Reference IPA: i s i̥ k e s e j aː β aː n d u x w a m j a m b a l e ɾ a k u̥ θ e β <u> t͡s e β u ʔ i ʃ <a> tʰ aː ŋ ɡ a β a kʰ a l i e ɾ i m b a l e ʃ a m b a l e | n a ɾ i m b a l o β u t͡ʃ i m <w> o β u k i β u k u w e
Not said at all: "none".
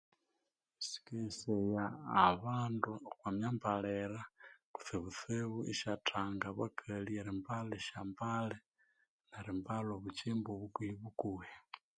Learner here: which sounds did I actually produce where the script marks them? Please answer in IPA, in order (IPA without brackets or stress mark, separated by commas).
u, a, b